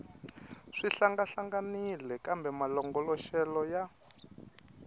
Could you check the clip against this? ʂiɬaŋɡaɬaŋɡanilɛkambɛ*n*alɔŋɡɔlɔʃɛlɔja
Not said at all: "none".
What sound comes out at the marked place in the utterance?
m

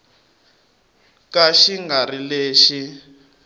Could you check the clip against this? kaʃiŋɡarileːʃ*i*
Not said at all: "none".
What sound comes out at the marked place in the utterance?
i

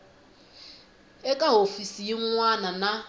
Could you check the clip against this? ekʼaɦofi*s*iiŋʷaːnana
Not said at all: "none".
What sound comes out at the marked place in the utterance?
s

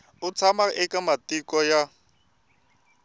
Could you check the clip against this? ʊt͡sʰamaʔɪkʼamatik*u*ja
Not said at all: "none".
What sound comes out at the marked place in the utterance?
ɔ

